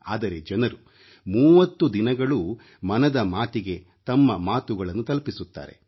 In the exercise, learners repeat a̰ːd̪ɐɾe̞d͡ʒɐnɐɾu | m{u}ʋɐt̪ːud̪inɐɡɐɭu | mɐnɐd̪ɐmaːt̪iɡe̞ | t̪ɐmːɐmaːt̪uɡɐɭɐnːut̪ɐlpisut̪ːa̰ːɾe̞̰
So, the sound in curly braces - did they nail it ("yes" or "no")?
no